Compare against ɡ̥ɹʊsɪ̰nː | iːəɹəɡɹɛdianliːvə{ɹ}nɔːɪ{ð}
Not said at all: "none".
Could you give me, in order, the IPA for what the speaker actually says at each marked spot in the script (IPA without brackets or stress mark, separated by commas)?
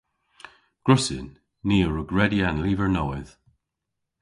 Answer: ɹ, ð